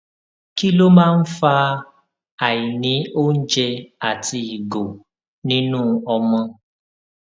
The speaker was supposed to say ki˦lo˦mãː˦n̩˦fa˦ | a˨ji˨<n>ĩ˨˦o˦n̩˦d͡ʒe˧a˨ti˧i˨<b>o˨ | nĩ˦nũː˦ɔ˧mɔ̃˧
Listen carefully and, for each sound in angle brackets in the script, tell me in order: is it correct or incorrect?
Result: correct, incorrect: ɡ

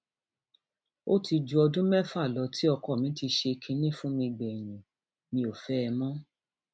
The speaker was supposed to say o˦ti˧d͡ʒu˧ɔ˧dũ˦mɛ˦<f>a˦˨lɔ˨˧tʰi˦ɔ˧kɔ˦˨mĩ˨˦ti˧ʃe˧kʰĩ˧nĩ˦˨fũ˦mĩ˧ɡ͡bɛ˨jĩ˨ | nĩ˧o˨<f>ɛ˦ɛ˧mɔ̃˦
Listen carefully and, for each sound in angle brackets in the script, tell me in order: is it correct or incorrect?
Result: correct, correct

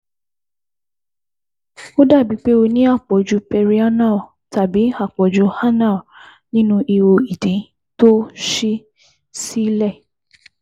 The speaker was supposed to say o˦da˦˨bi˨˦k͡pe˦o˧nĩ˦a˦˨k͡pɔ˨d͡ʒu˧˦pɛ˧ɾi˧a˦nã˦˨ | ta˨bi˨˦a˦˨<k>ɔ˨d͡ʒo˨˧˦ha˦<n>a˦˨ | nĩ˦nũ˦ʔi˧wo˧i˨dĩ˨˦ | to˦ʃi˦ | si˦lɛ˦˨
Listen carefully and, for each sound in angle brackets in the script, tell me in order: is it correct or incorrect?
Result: incorrect: k͡p, correct

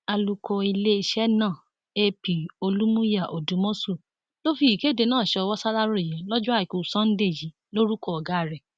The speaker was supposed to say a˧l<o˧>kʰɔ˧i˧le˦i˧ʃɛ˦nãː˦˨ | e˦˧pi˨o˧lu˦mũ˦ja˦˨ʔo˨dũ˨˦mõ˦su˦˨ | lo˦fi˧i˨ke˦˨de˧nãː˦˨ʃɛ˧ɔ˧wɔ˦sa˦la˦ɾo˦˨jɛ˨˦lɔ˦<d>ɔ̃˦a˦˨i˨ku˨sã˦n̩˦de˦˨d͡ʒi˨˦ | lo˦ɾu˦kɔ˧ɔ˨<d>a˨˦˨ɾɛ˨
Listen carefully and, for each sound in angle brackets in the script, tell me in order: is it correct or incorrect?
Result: incorrect: u˧, incorrect: d͡ʒ, incorrect: ɡ

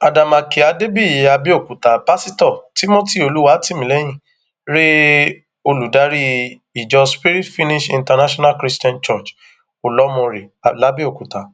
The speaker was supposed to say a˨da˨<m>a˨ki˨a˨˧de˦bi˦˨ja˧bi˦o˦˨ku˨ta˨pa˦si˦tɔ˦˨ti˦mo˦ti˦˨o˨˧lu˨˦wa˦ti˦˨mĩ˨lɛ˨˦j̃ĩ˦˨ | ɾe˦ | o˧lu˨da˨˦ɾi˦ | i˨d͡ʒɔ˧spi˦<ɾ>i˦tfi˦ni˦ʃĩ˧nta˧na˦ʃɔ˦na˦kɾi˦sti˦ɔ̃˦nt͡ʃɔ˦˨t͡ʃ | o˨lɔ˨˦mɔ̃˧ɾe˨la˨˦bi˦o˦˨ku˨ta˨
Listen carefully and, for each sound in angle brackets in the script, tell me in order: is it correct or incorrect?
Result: correct, correct

